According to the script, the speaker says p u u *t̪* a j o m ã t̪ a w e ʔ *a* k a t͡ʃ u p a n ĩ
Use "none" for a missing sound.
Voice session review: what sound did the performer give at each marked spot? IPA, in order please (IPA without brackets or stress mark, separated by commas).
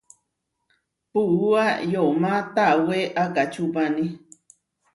none, a